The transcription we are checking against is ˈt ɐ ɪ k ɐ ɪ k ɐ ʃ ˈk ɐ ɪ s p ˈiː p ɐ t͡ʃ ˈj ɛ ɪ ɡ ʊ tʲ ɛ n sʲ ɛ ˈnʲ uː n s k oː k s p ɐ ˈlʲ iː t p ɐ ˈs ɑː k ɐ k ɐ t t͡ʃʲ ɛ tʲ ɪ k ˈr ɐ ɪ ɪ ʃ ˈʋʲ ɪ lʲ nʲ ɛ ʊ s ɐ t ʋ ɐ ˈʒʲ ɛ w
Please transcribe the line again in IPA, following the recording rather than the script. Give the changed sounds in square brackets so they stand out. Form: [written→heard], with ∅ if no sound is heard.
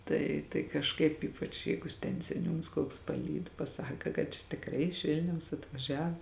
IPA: ˈt ɐ ɪ [k→t] ɐ ɪ k ɐ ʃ ˈk ɐ ɪ [s→∅] p ˈiː p ɐ t͡ʃ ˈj ɛ ɪ ɡ ʊ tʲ ɛ n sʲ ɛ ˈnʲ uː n s k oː k s p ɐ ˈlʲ iː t p ɐ ˈs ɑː k ɐ k ɐ t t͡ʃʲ ɛ tʲ ɪ k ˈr ɐ ɪ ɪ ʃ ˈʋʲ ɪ lʲ nʲ ɛ ʊ s ɐ t ʋ ɐ ˈʒʲ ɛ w